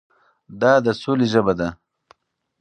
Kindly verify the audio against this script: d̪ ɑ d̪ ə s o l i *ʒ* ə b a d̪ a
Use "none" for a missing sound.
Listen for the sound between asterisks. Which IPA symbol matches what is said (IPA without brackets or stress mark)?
ʒ